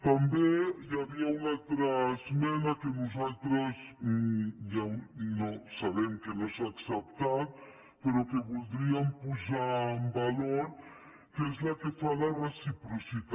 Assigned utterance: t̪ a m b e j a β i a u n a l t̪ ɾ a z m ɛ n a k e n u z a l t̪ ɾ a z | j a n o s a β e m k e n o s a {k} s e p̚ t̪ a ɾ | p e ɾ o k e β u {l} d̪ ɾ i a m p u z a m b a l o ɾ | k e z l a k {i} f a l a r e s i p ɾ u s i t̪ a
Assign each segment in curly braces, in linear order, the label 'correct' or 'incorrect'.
correct, correct, incorrect: e

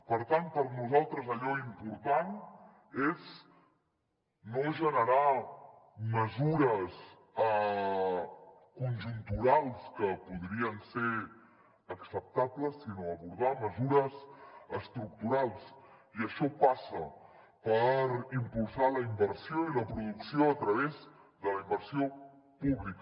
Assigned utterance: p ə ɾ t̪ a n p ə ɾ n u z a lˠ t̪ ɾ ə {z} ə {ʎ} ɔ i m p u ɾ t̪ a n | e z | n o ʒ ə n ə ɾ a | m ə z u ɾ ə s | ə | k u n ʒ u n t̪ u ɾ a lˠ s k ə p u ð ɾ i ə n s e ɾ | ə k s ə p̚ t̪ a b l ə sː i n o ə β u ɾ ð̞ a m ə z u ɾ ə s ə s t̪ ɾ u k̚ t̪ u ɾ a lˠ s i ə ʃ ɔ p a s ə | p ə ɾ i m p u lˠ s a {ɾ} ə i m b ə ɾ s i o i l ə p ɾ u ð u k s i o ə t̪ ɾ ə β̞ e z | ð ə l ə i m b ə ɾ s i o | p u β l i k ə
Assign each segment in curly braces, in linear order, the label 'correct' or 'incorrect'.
correct, correct, incorrect: l

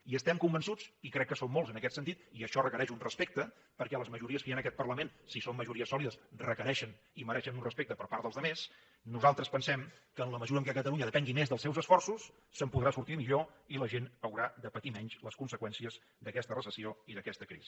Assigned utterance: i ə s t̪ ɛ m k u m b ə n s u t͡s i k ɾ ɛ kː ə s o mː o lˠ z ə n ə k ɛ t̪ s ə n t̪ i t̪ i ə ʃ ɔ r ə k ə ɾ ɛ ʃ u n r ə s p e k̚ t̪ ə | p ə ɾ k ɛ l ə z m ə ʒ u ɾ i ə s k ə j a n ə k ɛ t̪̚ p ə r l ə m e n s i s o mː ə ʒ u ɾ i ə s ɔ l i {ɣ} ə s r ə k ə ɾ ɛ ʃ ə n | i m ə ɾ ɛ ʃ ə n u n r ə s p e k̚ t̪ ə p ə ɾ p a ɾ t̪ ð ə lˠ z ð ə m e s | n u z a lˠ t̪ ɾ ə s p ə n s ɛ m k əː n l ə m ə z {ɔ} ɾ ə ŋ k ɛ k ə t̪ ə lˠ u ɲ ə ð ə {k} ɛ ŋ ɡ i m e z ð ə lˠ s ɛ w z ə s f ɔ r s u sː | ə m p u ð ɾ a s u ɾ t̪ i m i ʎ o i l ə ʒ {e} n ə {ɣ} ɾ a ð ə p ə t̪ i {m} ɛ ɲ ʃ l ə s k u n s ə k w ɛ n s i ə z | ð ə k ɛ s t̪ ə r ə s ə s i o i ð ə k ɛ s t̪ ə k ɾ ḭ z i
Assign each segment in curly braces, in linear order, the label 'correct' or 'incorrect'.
incorrect: ð, incorrect: u, incorrect: p, correct, incorrect: w, correct

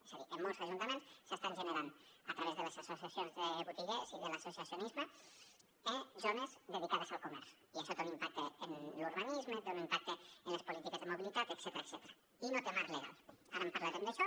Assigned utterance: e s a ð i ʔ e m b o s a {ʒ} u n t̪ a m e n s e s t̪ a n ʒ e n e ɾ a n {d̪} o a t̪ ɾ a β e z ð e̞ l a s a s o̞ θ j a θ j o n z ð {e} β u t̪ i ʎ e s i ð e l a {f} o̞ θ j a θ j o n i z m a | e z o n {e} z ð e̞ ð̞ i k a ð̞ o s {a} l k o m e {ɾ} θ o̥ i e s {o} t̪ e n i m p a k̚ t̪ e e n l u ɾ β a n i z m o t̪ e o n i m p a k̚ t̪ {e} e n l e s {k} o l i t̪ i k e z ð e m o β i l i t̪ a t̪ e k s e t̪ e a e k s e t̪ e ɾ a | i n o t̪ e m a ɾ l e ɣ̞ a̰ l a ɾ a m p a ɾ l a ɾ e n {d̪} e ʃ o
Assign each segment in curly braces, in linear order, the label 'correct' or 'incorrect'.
correct, correct, correct, incorrect: s, correct, correct, correct, correct, correct, incorrect: p, correct

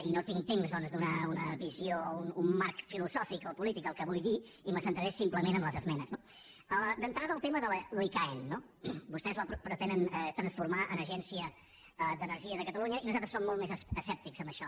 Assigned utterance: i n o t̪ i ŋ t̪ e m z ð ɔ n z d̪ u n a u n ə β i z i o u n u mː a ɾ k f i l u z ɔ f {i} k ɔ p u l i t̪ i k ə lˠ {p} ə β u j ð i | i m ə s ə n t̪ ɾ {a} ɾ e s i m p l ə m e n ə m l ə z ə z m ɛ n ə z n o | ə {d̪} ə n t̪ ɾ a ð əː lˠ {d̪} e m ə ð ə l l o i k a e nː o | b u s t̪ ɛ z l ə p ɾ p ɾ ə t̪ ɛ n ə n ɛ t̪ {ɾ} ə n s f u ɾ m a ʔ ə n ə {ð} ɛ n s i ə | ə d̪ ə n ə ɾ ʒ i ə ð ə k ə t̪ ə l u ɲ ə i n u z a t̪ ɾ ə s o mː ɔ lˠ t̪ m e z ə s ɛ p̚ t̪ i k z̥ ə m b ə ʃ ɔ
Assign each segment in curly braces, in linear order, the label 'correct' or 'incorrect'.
correct, incorrect: k, incorrect: ə, correct, incorrect: t̪, correct, incorrect: ʒ

